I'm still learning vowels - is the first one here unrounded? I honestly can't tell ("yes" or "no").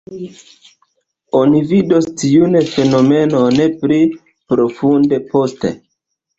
no